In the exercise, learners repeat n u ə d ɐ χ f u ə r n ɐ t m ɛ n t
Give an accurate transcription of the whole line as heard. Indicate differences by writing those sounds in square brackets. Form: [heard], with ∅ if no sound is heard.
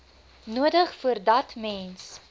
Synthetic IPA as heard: n u ə d [ə] χ f u ə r [d] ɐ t m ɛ n [s]